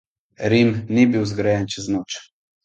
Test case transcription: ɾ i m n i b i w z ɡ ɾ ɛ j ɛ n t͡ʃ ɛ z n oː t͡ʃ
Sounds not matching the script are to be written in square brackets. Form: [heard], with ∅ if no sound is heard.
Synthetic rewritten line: ɾ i m n i b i w z ɡ ɾ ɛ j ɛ n t͡ʃ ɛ z n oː t͡ʃ

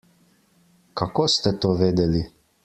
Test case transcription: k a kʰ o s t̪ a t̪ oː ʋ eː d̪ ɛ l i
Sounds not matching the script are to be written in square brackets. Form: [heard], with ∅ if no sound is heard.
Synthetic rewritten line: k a [k] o s t̪ [ɛ] t̪ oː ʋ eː d̪ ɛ l i

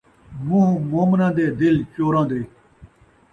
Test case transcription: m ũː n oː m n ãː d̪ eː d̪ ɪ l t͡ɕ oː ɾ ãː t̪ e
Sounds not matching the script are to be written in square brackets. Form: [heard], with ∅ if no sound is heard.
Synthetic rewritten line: m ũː [m] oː m n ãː d̪ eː d̪ ɪ l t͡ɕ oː ɾ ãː [d̪] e

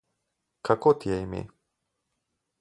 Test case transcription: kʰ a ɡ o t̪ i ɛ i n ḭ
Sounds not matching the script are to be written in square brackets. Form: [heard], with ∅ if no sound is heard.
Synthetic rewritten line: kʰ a [k] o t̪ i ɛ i [m] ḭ

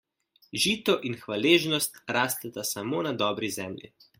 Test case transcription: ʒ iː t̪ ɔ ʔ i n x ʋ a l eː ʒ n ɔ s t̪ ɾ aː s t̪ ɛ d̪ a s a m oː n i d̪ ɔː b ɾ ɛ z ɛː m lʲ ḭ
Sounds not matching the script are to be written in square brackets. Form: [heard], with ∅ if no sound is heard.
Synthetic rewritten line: ʒ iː t̪ ɔ ʔ i n x ʋ a l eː ʒ n ɔ s t̪ ɾ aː s t̪ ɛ [t̪] a s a m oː n [a] d̪ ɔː b ɾ [i] z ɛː m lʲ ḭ

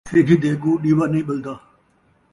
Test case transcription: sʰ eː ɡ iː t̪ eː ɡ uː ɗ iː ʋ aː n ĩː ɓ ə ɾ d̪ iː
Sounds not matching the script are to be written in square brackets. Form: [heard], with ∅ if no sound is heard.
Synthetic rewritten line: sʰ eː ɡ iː [d̪] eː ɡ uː ɗ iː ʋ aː n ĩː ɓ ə [l] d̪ [aː]

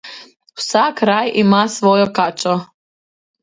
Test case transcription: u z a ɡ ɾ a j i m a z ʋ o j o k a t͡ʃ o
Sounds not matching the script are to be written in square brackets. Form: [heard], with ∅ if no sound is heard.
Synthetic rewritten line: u [s] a [k] ɾ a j i m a [s] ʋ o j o k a t͡ʃ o

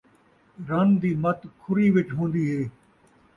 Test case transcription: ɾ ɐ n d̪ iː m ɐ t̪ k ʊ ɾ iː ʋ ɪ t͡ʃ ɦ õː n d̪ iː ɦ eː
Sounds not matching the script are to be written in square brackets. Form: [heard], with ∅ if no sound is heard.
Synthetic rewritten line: ɾ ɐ n d̪ iː m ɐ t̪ [kʰ] ʊ ɾ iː ʋ ɪ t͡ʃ ɦ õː n d̪ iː ɦ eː

